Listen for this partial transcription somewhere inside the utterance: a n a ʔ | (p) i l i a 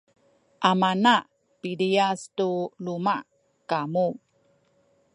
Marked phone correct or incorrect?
correct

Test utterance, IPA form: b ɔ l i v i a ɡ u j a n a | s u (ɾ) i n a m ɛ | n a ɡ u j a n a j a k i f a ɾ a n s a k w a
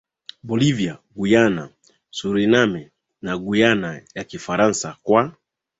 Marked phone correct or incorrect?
correct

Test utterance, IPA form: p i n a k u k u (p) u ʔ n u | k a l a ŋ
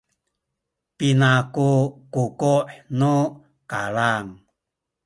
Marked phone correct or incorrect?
incorrect: k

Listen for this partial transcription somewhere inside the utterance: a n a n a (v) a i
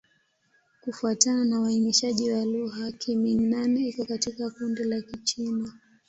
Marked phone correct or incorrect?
incorrect: w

